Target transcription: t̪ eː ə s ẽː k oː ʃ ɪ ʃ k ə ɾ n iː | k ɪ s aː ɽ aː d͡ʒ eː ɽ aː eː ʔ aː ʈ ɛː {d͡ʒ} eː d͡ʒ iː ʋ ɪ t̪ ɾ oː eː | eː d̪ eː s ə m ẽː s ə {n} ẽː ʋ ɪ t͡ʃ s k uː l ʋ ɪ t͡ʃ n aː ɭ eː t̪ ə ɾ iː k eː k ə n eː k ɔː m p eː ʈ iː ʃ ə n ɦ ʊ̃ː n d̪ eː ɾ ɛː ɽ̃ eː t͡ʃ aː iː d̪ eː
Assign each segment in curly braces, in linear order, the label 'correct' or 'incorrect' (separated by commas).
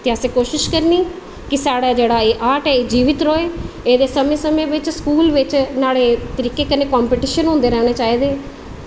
incorrect, incorrect